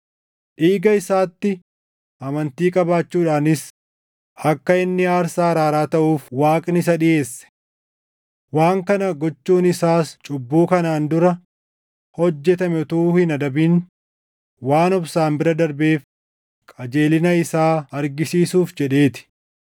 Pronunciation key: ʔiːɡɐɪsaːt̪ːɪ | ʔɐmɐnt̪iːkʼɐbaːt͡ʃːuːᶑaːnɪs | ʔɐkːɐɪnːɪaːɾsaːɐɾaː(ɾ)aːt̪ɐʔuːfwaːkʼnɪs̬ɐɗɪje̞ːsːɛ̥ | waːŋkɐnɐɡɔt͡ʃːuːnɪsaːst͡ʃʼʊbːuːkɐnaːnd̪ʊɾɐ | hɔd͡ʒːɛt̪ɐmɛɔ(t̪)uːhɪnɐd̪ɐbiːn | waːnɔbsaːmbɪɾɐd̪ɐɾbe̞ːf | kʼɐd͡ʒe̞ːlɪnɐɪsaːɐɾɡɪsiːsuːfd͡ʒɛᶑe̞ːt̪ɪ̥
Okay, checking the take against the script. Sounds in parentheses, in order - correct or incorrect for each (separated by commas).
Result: correct, correct